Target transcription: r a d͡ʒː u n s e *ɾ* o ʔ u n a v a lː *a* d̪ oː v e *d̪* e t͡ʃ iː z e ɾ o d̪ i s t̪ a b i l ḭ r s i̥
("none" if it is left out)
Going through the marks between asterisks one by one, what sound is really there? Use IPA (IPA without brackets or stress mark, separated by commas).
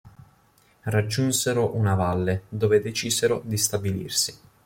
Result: ɾ, e, d̪